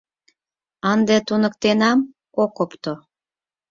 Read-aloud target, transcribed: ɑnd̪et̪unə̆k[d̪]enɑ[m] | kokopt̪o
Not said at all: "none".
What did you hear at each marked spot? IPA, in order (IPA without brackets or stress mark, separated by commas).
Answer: t̪, m